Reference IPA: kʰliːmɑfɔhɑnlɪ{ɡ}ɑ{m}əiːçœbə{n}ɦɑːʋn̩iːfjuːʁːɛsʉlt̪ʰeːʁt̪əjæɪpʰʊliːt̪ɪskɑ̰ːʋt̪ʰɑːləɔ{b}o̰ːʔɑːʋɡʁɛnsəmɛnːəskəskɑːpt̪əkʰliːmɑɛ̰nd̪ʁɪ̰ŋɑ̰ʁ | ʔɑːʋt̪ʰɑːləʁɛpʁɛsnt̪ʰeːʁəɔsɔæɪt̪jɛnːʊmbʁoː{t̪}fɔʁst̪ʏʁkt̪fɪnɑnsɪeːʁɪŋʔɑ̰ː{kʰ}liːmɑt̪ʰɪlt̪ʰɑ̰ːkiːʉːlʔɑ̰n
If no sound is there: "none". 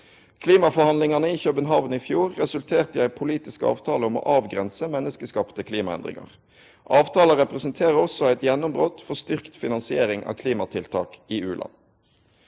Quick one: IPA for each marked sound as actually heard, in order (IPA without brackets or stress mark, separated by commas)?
ŋ, n, n, m, t̪, kʰ